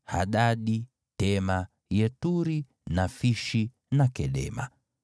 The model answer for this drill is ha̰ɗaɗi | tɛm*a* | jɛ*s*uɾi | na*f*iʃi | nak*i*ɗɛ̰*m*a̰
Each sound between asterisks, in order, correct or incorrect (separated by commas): correct, incorrect, correct, incorrect, correct